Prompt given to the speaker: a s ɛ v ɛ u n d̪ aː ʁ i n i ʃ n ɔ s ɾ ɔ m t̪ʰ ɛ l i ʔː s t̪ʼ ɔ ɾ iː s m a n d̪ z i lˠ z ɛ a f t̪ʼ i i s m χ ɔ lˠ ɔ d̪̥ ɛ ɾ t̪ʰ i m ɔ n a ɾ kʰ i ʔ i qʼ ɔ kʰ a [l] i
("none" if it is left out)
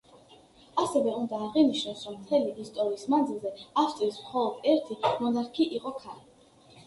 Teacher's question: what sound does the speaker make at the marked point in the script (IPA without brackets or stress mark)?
l